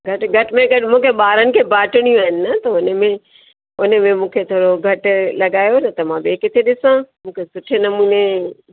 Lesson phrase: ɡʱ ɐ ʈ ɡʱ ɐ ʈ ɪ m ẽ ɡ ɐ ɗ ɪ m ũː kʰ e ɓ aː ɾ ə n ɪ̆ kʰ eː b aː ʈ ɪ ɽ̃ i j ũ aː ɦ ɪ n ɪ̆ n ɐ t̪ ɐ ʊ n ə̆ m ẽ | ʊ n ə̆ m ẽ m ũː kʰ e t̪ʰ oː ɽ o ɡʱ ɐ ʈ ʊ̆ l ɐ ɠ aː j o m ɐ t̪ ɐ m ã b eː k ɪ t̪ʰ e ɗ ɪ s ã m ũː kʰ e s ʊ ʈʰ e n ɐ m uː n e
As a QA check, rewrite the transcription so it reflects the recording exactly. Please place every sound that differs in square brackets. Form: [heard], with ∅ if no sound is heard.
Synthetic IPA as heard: ɡʱ ɐ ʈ ɡʱ ɐ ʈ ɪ m ẽ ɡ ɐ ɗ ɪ m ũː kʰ e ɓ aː ɾ ə n ɪ̆ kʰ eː b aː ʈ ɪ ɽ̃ i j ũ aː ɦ ɪ n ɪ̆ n ɐ t̪ ɐ ʊ n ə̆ m ẽ | ʊ n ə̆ m ẽ m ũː kʰ e t̪ʰ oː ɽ o ɡʱ ɐ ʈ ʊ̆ l ɐ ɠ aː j o [n] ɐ t̪ ɐ m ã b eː k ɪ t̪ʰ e ɗ ɪ s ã m ũː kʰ e s ʊ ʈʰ e n ɐ m uː n e